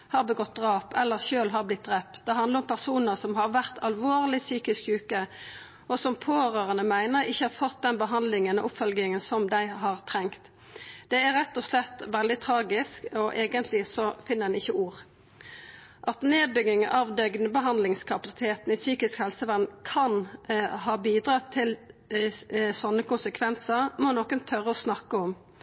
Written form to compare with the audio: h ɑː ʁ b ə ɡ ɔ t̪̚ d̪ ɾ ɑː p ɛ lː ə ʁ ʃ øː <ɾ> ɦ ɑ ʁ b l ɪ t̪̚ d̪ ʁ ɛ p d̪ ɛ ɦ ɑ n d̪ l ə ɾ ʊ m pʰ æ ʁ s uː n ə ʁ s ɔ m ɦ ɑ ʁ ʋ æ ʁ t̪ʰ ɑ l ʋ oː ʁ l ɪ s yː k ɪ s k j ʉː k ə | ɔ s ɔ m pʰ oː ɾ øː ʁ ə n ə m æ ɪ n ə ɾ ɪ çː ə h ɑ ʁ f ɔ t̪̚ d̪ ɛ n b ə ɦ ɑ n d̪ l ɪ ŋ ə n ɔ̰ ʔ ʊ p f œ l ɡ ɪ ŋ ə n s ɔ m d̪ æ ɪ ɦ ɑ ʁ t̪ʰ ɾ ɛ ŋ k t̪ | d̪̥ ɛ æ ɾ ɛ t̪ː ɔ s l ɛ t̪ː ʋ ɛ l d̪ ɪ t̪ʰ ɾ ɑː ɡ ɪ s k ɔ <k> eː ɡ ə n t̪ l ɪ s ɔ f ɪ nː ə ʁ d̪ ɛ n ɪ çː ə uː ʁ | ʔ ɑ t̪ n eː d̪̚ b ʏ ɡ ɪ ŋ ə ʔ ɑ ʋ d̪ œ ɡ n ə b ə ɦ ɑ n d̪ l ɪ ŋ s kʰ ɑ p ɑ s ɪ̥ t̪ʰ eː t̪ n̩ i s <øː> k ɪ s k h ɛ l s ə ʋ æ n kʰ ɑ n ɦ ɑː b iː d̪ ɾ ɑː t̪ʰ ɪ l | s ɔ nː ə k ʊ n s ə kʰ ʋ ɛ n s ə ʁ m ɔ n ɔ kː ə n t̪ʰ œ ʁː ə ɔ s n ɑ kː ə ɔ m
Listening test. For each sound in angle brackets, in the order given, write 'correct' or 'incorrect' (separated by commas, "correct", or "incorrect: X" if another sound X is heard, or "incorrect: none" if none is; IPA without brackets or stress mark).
incorrect: l, incorrect: ʔ, incorrect: yː